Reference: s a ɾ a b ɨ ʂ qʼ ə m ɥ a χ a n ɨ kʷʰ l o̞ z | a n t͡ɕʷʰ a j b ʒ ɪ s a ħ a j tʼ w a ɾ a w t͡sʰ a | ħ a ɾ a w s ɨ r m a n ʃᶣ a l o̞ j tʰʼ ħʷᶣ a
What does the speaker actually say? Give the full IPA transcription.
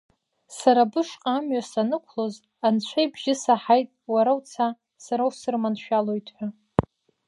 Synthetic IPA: s a ɾ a b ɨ ʂ qʼ a m ɥ a s a n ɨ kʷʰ l o̞ z | a n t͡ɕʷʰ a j b ʒ ɪ s a ħ a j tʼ w a ɾ a w t͡sʰ a | s a ɾ a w s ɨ r m a n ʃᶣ a l o̞ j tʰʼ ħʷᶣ a